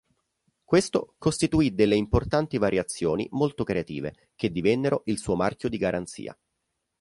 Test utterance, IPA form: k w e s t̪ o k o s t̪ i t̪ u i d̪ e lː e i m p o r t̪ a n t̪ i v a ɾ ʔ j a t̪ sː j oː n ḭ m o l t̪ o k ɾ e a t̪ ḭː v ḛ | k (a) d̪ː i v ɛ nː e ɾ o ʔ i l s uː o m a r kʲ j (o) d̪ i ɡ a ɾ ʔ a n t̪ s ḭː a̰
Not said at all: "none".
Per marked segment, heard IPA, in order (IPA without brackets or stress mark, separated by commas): e, o